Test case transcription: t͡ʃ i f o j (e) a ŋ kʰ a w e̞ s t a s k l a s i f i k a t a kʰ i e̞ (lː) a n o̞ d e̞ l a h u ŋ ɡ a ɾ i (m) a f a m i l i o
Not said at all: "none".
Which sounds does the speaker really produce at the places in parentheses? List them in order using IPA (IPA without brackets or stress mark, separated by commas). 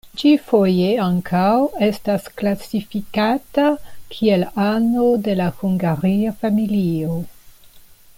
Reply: e, l, none